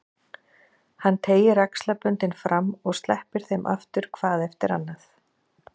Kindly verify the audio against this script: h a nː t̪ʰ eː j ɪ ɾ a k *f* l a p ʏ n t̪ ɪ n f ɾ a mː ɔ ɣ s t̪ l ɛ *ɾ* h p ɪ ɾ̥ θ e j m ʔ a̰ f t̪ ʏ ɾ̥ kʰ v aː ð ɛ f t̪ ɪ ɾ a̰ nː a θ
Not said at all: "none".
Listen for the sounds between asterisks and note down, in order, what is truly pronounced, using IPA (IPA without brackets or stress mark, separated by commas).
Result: s, none